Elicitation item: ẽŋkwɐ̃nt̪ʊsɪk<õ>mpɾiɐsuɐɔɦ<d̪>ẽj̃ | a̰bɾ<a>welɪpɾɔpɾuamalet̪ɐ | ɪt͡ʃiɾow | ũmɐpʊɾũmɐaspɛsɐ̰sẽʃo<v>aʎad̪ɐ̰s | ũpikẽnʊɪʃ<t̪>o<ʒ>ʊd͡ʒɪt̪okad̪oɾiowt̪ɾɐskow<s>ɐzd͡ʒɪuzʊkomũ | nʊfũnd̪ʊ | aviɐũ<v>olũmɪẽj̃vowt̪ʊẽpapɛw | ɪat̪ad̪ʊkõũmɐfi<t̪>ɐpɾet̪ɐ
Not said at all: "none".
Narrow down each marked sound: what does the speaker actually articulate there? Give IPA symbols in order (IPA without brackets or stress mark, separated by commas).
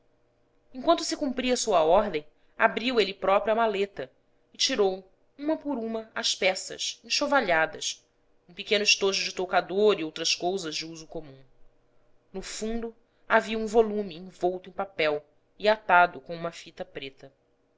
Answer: ũ, d̪, i, v, t̪, ʒ, z, v, t̪